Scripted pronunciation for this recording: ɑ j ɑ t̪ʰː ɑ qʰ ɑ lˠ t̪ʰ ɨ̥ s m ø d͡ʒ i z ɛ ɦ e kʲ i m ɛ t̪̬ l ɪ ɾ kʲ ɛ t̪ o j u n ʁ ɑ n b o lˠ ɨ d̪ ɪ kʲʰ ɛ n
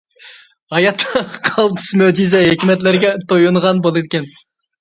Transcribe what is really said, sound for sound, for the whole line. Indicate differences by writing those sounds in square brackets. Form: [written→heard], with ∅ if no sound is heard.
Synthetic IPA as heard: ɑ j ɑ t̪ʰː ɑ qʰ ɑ lˠ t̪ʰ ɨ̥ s m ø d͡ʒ i z ɛ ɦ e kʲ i m ɛ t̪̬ l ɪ ɾ [kʲ→ɡʲ] ɛ t̪ o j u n ʁ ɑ n b o lˠ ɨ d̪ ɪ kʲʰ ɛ n

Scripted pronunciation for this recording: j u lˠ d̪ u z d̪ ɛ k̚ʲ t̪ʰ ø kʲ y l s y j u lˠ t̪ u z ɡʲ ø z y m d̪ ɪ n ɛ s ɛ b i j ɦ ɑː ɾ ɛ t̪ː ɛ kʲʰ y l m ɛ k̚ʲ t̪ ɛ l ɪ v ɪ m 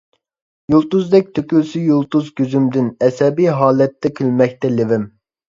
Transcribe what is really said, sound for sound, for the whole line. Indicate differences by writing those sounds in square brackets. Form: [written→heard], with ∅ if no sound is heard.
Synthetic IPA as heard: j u lˠ [d̪→t̪] u z d̪ ɛ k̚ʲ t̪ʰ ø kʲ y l s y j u lˠ t̪ u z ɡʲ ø z y m d̪ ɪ n ɛ s ɛ b i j ɦ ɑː [ɾ→l] ɛ t̪ː ɛ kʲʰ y l m ɛ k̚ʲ t̪ ɛ l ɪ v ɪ m

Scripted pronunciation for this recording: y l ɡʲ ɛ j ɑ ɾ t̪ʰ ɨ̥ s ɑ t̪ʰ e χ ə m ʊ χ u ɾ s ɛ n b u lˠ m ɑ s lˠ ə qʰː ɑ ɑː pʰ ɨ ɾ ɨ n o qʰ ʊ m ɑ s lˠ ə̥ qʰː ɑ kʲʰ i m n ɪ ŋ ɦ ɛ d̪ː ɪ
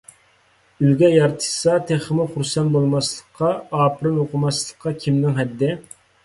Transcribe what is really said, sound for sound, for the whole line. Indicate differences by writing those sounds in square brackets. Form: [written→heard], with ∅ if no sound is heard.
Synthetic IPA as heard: y l ɡʲ ɛ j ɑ ɾ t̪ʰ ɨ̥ s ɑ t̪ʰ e χ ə m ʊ χ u ɾ s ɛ n b [u→o] lˠ m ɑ s lˠ ə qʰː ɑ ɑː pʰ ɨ ɾ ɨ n o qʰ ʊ m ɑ s lˠ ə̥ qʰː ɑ kʲʰ i m n ɪ ŋ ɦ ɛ d̪ː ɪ

